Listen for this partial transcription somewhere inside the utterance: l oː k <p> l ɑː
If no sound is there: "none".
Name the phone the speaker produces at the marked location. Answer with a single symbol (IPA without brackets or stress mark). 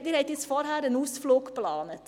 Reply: p